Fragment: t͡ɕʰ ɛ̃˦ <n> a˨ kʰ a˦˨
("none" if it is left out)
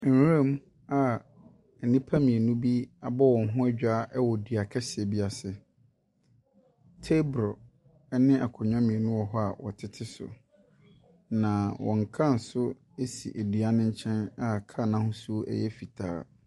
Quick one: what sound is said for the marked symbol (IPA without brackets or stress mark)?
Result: n